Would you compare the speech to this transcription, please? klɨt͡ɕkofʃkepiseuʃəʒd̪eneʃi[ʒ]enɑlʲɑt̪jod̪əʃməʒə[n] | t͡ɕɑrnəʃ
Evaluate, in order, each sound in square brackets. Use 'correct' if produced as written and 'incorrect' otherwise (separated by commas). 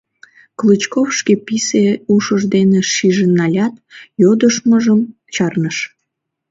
correct, incorrect